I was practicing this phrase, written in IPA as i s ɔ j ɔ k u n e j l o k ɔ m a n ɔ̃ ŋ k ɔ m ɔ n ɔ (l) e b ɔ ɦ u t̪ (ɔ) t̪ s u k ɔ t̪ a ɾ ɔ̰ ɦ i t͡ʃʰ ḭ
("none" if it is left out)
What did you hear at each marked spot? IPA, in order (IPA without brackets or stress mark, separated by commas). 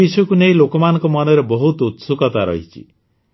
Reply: ɾ, u